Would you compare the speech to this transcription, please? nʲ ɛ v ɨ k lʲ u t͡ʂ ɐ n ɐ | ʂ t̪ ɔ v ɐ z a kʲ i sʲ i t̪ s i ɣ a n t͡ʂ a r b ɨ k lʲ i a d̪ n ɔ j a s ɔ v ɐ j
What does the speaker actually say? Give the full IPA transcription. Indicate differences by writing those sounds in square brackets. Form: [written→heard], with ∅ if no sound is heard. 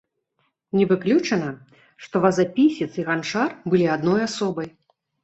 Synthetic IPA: nʲ ɛ v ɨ k lʲ u t͡ʂ ɐ n ɐ | ʂ t̪ ɔ v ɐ z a [kʲ→pʲ] i sʲ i t̪ s i ɣ a n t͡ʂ a r b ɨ [k→∅] lʲ i a d̪ n ɔ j a s ɔ [v→b] ɐ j